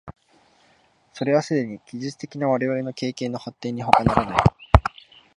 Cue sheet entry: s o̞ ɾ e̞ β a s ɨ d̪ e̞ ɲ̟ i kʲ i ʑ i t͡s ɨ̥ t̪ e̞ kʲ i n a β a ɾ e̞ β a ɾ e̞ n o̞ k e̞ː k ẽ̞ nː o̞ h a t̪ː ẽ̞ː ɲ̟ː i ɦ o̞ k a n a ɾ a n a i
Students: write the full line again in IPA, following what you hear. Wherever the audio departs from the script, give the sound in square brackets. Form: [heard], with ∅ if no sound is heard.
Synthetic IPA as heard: s o̞ ɾ e̞ β a s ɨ d̪ e̞ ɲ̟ i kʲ i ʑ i t͡s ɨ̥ t̪ e̞ kʲ i n a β a ɾ e̞ β a ɾ e̞ n o̞ k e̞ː k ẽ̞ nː o̞ h a t̪ː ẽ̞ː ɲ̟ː i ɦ o̞ k a n a ɾ a n a i